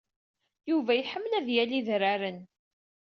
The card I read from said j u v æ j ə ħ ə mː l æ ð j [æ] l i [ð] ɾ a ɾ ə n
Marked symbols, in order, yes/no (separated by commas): yes, yes